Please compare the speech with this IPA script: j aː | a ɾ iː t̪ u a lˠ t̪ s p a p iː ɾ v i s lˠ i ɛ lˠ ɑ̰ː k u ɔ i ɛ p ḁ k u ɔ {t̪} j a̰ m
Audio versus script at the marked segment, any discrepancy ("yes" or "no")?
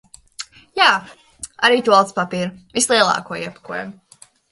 yes